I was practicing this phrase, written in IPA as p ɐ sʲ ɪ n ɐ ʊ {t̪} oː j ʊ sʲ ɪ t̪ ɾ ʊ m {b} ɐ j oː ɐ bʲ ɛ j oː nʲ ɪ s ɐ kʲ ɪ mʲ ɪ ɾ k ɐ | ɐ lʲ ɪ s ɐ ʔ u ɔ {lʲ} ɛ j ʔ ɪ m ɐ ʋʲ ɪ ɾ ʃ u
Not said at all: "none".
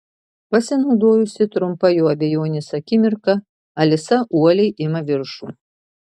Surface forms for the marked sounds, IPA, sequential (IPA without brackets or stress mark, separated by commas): d̪, p, lʲ